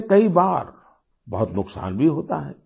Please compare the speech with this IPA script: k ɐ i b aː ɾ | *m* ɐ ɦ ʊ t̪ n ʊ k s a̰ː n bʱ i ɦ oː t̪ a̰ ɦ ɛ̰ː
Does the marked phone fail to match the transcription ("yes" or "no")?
yes